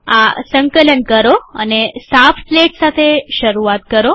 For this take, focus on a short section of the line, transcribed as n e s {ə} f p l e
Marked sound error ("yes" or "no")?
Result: yes